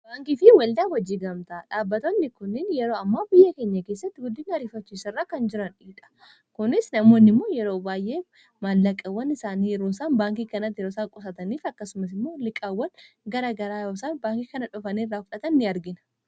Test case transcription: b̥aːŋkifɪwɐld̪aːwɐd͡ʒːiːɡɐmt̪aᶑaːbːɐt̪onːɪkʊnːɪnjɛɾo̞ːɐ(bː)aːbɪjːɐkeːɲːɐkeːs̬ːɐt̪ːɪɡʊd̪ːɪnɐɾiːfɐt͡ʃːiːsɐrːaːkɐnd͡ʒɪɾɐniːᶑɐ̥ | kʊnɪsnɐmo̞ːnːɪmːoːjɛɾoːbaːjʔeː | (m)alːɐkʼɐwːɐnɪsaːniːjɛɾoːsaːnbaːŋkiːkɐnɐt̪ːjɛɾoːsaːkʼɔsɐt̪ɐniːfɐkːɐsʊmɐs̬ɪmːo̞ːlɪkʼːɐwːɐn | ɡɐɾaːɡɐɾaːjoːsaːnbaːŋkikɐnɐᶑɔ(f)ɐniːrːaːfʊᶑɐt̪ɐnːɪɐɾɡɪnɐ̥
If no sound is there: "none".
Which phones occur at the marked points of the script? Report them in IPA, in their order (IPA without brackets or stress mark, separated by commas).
mː, m, f